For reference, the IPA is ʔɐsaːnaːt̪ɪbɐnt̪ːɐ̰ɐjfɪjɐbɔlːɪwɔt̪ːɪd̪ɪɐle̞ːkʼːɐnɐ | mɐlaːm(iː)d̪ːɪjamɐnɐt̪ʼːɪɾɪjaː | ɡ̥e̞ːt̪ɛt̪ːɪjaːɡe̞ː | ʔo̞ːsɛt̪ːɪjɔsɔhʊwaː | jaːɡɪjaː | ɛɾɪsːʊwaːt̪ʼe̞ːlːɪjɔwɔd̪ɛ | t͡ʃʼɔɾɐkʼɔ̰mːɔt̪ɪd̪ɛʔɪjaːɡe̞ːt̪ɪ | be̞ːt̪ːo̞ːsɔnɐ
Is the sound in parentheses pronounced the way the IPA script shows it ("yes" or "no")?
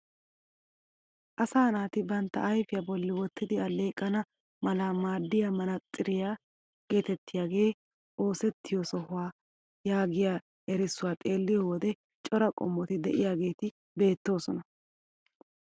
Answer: no